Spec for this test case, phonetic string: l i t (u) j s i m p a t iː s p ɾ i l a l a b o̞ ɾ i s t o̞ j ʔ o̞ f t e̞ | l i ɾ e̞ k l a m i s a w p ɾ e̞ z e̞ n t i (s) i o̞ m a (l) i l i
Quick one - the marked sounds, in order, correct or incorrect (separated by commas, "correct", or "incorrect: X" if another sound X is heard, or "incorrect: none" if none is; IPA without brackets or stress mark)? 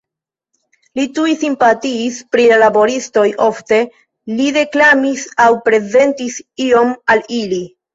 correct, correct, correct